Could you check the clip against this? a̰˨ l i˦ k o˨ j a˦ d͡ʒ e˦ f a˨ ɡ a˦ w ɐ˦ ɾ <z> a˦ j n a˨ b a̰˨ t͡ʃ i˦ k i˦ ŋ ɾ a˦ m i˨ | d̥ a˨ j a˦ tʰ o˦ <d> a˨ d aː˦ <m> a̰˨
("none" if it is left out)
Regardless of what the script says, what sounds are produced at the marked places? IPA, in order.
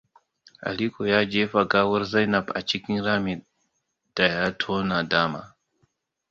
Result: z, n, m

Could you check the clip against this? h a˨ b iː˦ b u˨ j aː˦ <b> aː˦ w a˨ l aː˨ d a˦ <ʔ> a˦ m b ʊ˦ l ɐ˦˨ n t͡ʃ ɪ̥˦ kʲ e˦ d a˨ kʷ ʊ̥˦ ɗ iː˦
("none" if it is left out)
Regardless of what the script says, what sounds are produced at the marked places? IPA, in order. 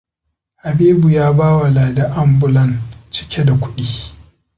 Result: b, ʔ

